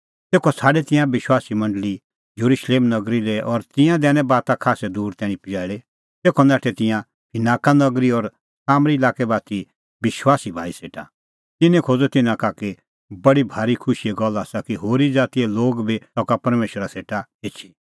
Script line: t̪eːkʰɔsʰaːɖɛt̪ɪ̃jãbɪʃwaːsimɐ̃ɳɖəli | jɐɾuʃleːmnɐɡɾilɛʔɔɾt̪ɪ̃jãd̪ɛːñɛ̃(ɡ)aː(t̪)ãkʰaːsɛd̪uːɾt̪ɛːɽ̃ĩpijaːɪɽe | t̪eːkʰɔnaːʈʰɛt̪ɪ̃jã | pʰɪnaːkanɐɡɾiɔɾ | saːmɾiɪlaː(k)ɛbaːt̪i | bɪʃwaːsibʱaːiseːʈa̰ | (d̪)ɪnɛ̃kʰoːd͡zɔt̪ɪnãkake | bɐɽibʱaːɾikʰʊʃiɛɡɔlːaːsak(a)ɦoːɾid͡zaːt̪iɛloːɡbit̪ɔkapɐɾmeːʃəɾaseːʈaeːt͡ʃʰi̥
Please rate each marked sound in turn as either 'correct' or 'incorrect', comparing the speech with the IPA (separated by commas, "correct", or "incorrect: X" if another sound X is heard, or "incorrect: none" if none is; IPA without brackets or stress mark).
incorrect: b, correct, correct, incorrect: t̪, incorrect: i